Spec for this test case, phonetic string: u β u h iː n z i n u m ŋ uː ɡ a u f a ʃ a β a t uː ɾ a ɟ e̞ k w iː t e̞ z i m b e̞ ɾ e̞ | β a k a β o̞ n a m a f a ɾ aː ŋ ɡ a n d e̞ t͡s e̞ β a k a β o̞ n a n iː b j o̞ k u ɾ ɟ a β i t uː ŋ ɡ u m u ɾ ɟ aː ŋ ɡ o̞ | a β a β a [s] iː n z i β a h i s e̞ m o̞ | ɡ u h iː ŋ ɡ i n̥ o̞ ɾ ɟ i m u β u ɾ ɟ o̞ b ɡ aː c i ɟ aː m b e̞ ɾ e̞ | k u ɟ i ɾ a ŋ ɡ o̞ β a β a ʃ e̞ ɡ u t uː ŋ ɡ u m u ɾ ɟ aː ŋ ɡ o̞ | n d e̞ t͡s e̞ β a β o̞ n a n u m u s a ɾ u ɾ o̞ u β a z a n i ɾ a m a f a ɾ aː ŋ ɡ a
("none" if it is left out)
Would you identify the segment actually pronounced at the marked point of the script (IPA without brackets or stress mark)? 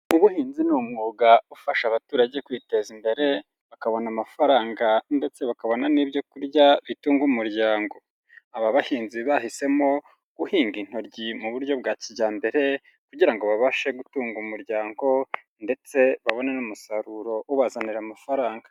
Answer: h